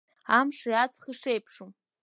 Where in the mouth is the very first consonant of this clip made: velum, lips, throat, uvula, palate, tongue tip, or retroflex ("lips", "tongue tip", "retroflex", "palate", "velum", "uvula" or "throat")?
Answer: lips